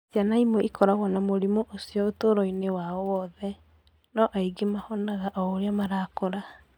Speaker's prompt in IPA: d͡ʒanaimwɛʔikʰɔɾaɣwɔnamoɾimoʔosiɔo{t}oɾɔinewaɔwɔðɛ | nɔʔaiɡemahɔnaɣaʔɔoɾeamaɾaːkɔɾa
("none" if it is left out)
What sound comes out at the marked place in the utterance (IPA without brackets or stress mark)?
t